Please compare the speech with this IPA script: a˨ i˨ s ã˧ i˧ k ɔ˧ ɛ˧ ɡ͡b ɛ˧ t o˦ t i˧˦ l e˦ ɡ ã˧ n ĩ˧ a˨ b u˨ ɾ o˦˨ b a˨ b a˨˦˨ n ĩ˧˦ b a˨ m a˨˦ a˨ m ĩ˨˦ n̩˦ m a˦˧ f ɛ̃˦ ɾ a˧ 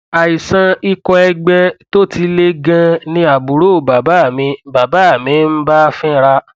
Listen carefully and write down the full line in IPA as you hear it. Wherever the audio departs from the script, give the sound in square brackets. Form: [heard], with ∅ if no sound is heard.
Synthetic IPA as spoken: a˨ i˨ s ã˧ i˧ k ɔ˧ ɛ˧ ɡ͡b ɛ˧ t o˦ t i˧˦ l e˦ ɡ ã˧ n ĩ˧ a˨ b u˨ ɾ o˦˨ b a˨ b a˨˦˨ [m] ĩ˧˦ b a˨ [b] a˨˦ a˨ m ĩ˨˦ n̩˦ [b] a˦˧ f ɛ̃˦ ɾ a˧